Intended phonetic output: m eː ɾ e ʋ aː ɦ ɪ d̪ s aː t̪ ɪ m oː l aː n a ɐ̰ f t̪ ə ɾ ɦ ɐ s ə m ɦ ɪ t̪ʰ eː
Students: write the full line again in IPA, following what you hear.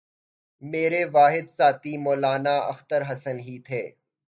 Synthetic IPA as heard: m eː ɾ e ʋ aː ɦ ɪ d̪ s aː t̪ i m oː l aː n a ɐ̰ x t̪ ə ɾ ɦ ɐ s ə n ɦ i t̪ʰ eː

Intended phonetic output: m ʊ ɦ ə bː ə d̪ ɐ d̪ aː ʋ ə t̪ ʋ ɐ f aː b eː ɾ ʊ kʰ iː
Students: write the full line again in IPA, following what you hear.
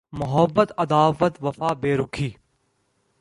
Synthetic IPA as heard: m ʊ ɦ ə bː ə t̪ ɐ d̪ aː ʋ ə t̪ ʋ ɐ f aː b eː ɾ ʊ kʰ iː

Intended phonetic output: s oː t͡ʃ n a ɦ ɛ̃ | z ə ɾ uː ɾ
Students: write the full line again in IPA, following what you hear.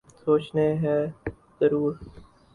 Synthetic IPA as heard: s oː t͡ʃ n e ɦ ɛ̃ | z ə ɾ uː ɾ

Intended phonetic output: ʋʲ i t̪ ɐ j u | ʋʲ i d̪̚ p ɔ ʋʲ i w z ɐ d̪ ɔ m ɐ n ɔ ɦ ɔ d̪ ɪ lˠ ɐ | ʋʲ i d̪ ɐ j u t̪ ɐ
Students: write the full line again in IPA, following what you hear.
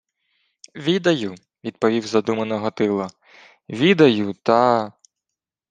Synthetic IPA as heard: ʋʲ i d̪ ɐ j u | ʋʲ i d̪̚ p ɔ ʋʲ i w z ɐ d̪ u m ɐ n ɔ ɦ ɔ t̪ ɪ lˠ ɐ | ʋʲ i d̪ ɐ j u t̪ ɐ

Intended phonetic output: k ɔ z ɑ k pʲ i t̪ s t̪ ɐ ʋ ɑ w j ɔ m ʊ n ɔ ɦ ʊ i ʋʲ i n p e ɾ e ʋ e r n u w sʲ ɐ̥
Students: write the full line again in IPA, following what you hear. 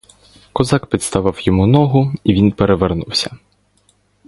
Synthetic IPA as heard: k ɔ z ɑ k pʲ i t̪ s t̪ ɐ ʋ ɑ w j ɔ m u n ɔ ɦ ʊ i ʋʲ i n p e ɾ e ʋ e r n u w sʲ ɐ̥

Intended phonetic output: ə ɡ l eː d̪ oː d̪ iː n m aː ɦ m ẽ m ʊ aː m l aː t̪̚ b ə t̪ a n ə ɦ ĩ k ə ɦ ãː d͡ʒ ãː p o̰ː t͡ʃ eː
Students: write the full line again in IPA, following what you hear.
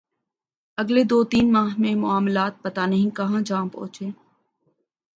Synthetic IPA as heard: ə ɡ l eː d̪ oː t̪ iː n m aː ɦ m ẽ m ʊ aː m l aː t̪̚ p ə t̪ a n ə ɦ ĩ k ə ɦ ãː d͡ʒ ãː p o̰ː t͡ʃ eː

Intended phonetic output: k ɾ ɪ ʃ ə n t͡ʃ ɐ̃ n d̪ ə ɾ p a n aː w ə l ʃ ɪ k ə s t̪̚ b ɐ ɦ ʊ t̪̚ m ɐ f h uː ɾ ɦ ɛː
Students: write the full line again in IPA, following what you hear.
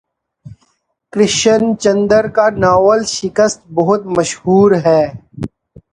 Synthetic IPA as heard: k ɾ ɪ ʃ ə n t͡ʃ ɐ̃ n d̪ ə ɾ k a n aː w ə l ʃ ɪ k ə s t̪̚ b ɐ ɦ ʊ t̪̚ m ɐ ʃ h uː ɾ ɦ ɛː

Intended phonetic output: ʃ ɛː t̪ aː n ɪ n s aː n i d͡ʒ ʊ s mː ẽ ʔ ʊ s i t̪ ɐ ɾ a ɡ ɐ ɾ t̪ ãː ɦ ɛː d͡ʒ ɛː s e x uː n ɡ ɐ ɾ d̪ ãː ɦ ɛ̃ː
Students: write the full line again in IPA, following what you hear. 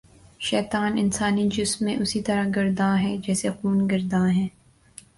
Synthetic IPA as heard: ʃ ɛː t̪ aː n ɪ n s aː n i d͡ʒ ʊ s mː ẽ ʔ ʊ s i t̪ ɐ ɾ a ɡ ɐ ɾ d̪ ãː ɦ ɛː d͡ʒ ɛː s e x uː n ɡ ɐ ɾ d̪ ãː ɦ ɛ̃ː

